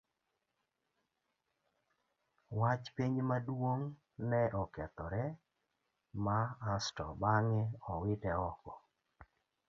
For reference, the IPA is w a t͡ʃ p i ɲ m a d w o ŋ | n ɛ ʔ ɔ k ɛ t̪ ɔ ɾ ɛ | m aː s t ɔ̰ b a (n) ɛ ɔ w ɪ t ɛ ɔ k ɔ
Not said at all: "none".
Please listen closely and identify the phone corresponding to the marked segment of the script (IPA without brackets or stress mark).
ŋ